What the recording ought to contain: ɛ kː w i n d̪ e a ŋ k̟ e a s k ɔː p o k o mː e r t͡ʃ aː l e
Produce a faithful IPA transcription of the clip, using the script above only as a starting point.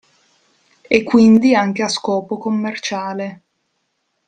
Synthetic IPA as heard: e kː w i n d̪ i a ŋ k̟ e a s k ɔː p o k o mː e r t͡ʃ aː l e